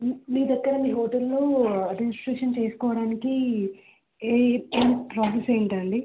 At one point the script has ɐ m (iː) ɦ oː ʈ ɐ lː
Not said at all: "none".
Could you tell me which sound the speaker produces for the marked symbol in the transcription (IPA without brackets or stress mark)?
iː